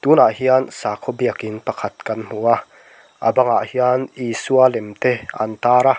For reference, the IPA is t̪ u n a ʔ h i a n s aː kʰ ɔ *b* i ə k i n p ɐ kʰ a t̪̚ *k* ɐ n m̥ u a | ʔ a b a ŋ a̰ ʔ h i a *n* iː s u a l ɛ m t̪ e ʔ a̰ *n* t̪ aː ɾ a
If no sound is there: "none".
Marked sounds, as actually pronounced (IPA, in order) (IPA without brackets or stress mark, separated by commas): b, k, n, n